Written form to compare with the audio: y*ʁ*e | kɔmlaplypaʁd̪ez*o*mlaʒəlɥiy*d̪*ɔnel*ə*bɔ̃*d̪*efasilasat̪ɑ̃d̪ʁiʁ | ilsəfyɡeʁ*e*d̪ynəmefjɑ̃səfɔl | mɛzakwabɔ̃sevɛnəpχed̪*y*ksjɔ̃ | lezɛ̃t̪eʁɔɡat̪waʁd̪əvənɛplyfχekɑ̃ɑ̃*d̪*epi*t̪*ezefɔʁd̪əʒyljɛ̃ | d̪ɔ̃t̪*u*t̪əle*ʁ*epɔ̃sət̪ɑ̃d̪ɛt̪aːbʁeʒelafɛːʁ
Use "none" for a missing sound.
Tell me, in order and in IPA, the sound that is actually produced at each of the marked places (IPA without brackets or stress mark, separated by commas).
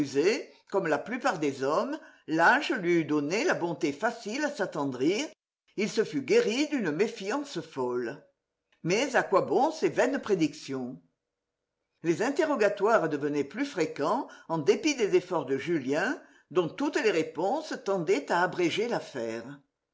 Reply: z, ɔ, d̪, a, t̪, i, i, d̪, d̪, u, ʁ